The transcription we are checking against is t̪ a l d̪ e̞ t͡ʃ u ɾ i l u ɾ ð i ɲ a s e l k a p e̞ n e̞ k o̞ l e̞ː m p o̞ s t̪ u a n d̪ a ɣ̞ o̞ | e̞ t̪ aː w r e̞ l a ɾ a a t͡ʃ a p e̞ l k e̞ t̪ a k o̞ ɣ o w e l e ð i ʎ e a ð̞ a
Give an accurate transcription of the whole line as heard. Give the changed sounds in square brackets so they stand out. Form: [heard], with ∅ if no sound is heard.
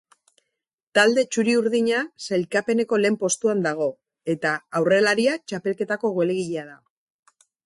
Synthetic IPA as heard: t̪ a l d̪ e̞ t͡ʃ u ɾ i [∅] u ɾ ð i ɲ a s e l k a p e̞ n e̞ k o̞ l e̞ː m p o̞ s t̪ u a n d̪ a ɣ̞ o̞ | e̞ t̪ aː w r e̞ l a ɾ [i] a t͡ʃ a p e̞ l k e̞ t̪ a k o̞ ɣ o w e l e [ɣ] i ʎ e a ð̞ a